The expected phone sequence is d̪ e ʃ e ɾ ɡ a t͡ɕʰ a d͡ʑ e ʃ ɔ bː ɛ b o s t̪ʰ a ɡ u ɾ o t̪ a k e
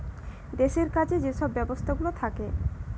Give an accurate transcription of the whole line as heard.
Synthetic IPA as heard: d̪ e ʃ e ɾ k a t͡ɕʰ e d͡ʑ e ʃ ɔ bː ɛ b o s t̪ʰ a ɡ u l o t̪ʰ a k e